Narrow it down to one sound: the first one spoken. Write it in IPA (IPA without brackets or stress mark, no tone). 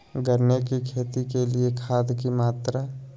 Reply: ɡ